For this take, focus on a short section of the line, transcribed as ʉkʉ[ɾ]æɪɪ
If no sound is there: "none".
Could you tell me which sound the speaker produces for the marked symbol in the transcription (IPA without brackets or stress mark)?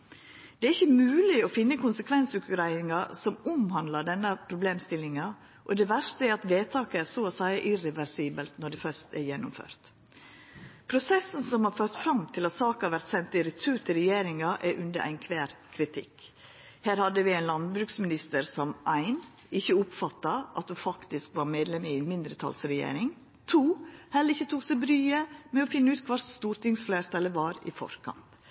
ɾ